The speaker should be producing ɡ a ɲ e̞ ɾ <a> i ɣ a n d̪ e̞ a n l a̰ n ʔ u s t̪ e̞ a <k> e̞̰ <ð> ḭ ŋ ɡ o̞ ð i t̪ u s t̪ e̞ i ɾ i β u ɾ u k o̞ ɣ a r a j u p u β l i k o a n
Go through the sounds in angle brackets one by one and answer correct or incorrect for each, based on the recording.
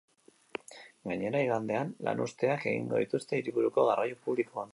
correct, correct, incorrect: ɣ

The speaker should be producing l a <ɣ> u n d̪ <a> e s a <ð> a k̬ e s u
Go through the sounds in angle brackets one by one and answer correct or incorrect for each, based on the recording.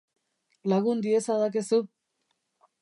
correct, incorrect: i, correct

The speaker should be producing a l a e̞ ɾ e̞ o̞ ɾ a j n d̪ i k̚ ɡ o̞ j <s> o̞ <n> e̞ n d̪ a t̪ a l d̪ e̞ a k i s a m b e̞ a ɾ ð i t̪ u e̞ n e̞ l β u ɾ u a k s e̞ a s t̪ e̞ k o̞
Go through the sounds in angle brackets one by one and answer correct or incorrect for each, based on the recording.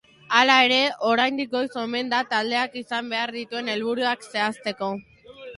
correct, incorrect: m

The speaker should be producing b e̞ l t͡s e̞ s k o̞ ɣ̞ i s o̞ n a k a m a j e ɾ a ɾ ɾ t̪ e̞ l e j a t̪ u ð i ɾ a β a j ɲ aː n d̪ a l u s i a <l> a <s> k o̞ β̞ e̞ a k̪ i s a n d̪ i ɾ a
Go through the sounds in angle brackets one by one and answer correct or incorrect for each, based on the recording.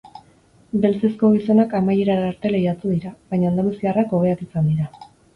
incorrect: r, incorrect: none

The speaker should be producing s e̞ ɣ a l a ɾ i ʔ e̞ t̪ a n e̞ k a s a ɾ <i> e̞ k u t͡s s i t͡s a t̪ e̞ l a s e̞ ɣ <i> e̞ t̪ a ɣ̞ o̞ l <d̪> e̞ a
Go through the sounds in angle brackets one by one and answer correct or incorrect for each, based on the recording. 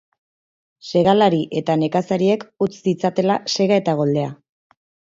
correct, incorrect: a, correct

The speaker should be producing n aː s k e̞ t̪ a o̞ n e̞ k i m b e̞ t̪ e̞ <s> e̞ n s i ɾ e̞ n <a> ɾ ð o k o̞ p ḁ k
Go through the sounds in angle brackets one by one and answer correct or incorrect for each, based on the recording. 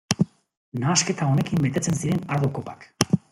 incorrect: t͡s, correct

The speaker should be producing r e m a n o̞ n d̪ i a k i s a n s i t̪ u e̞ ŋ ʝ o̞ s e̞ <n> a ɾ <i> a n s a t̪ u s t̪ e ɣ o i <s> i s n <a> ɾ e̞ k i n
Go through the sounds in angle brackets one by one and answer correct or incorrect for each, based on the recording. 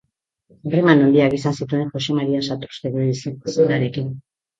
incorrect: m, correct, correct, correct

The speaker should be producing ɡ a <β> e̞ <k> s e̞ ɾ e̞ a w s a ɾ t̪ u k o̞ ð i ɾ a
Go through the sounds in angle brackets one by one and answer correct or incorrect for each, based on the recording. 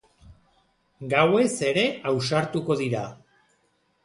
incorrect: w, incorrect: none

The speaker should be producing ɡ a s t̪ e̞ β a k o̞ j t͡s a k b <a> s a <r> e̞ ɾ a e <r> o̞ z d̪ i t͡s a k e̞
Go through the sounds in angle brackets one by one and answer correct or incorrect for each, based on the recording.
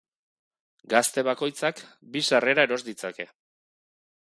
incorrect: i, correct, incorrect: ɾ

